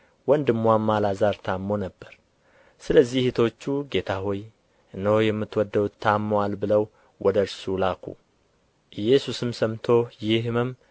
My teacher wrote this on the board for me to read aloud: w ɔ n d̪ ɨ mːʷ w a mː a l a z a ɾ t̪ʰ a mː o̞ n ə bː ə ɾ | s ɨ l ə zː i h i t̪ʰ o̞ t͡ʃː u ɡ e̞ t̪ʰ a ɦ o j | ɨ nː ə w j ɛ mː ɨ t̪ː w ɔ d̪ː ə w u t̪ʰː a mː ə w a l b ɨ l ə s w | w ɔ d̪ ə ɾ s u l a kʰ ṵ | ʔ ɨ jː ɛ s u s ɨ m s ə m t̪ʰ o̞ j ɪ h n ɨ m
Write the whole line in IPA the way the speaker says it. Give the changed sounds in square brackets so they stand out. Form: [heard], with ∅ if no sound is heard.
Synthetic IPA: w ɔ n d̪ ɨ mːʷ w a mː a l a z a ɾ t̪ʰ a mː o̞ n ə bː ə ɾ | s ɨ l ə zː i h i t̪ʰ o̞ t͡ʃː u ɡ e̞ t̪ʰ a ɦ o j | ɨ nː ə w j ɛ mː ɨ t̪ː w ɔ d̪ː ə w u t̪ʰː a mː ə w a l b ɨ l ə [∅] w | w ɔ d̪ ə ɾ s u l a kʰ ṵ | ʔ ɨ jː ɛ s u s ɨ m s ə m t̪ʰ o̞ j ɪ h [m] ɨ m